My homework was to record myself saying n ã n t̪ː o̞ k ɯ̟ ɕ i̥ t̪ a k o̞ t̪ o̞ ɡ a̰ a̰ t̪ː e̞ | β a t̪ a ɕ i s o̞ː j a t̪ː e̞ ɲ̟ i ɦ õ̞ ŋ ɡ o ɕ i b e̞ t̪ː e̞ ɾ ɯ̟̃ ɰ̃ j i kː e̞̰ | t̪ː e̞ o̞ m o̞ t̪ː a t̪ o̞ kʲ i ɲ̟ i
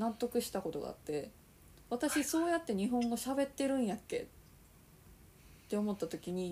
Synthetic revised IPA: n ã n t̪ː o̞ k ɯ̟ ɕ i̥ t̪ a k o̞ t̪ o̞ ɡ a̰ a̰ t̪ː e̞ | β a t̪ a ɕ i s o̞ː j a t̪ː e̞ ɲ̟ i ɦ õ̞ ŋ ɡ o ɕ a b e̞ t̪ː e̞ ɾ ɯ̟̃ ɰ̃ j a kː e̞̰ | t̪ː e̞ o̞ m o̞ t̪ː a t̪ o̞ kʲ i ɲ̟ i